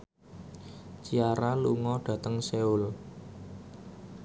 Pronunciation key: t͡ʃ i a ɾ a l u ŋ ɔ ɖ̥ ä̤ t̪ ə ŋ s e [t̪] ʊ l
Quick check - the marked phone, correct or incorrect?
incorrect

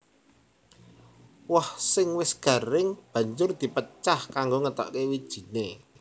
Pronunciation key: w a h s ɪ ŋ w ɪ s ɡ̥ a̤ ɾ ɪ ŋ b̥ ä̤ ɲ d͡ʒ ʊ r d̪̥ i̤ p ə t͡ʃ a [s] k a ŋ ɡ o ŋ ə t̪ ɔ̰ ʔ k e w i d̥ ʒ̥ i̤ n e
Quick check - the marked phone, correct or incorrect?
incorrect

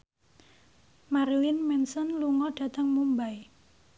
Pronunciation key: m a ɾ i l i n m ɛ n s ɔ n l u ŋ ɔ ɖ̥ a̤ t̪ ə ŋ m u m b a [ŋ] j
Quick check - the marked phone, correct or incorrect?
incorrect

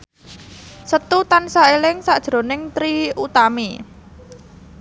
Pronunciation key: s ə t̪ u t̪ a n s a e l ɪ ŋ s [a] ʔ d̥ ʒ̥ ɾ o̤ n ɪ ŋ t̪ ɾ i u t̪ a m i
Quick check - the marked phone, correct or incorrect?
correct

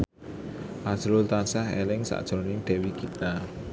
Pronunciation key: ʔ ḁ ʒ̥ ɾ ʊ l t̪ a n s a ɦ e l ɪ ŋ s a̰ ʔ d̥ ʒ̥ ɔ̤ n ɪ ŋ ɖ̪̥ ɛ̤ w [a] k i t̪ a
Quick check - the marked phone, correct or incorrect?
incorrect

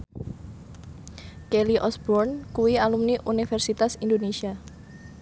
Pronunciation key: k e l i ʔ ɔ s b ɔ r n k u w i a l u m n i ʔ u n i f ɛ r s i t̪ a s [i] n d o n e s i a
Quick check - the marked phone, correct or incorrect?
correct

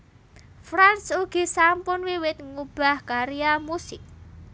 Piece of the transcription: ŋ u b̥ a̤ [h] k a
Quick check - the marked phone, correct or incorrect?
correct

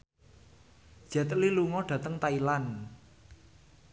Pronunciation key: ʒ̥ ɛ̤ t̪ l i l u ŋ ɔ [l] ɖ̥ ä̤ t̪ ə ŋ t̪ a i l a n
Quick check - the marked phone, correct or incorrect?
incorrect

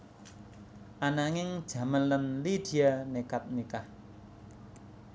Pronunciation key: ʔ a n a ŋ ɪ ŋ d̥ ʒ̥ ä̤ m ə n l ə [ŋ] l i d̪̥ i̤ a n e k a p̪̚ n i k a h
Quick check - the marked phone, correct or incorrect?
incorrect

